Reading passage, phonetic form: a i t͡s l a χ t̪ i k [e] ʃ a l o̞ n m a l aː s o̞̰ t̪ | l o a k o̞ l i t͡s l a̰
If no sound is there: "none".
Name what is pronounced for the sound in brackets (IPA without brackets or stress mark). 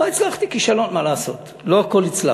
i